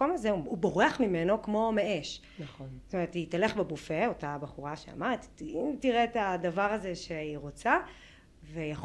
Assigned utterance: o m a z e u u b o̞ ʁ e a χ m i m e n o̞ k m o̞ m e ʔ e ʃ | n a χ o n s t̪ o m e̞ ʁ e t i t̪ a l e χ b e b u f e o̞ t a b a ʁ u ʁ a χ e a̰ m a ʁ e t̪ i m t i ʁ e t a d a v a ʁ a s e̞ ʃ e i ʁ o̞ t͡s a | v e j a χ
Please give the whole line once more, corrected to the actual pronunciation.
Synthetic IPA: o m a z e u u b o̞ ʁ e a χ m i m e n o̞ k m o̞ m e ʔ e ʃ | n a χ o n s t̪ o m e̞ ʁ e t i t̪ a l e χ b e b u f e o̞ t a b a χ u ʁ a ʃ e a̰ m a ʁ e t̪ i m t i ʁ e t a d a v a ʁ a z e̞ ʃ e i ʁ o̞ t͡s a | v e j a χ